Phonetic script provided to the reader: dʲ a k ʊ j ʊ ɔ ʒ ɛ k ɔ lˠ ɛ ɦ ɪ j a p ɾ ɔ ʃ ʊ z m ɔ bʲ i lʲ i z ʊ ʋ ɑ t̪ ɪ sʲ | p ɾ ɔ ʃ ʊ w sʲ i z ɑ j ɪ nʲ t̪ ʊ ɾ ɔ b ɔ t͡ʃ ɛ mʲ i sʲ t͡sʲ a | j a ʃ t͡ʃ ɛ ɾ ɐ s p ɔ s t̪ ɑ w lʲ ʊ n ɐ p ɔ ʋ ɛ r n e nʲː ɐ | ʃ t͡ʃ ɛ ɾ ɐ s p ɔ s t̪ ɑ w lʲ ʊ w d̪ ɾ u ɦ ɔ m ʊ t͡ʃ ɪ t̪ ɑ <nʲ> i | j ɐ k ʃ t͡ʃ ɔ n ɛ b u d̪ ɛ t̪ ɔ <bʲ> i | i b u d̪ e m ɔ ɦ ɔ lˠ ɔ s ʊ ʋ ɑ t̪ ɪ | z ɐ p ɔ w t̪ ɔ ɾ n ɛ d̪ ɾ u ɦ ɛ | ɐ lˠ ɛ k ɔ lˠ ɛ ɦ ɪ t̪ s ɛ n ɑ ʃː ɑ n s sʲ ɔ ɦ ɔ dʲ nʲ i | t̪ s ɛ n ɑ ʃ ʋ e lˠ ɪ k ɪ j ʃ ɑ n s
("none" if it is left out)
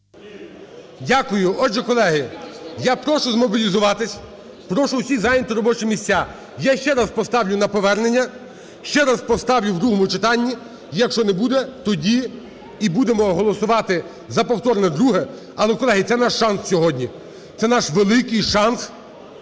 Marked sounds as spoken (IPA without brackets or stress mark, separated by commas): nʲː, dʲ